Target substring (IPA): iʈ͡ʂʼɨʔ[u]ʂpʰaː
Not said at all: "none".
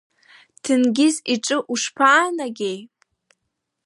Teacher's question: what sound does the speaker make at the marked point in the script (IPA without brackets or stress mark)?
u